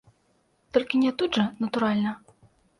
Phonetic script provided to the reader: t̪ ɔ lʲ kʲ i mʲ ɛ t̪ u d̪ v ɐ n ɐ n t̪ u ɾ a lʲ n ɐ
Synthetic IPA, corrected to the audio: t̪ ɔ lʲ kʲ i nʲ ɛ t̪ u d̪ ʐ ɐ n ɐ t̪ u ɾ a lʲ n ɐ